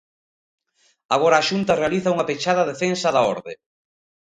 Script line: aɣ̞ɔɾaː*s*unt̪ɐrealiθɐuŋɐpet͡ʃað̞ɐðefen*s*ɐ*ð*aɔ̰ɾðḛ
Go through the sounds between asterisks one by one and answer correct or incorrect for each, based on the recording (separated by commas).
incorrect, correct, correct